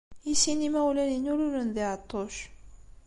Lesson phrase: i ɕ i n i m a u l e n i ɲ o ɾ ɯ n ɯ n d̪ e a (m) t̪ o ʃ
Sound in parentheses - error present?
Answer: yes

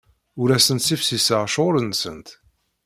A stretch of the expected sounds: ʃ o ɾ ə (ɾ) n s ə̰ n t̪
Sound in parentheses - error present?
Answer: yes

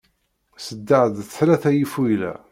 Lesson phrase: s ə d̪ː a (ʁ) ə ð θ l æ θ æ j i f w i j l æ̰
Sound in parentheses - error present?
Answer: yes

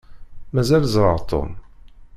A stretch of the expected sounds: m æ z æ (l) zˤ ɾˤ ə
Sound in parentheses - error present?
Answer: no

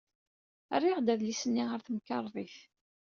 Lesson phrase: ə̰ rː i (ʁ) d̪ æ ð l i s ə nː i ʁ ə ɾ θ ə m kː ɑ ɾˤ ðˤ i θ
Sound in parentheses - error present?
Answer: no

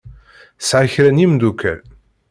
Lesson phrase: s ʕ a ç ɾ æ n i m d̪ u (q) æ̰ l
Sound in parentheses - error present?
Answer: yes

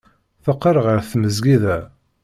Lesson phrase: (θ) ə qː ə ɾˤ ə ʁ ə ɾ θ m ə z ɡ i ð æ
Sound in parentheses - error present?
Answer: no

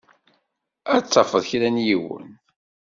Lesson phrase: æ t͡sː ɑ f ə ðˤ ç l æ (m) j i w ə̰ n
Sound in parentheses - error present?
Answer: yes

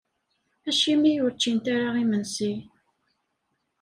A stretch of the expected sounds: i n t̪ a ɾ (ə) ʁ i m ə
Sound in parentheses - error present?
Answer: yes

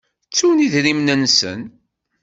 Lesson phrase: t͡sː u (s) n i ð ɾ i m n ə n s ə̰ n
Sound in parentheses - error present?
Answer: yes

